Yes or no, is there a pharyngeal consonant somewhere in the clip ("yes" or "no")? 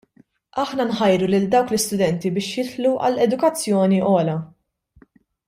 yes